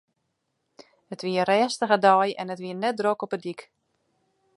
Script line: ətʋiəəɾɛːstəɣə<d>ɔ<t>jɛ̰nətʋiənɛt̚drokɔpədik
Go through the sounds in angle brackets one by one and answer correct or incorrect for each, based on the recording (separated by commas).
correct, incorrect